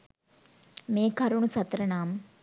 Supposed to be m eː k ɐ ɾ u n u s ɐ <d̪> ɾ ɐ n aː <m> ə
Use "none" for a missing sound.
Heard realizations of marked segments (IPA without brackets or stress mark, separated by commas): t̪, m